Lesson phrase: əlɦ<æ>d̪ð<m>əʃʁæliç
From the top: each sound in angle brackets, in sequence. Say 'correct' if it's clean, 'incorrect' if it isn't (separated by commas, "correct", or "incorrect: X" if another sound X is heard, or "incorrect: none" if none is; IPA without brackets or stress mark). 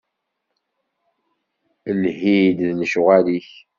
incorrect: i, incorrect: n